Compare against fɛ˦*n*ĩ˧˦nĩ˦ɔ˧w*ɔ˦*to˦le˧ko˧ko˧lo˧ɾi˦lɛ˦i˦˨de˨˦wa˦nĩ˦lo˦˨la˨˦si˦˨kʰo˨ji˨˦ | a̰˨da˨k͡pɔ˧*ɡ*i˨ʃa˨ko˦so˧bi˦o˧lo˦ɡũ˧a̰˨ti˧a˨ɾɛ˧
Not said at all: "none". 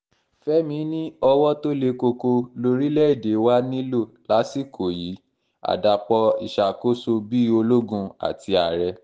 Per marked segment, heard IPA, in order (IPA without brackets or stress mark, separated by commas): m, ɔ˦, none